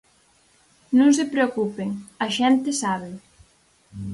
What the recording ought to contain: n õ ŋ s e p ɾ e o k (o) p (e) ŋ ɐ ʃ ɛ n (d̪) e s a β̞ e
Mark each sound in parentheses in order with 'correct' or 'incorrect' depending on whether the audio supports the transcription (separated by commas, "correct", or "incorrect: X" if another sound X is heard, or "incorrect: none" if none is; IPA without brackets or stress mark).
incorrect: u, correct, incorrect: t̪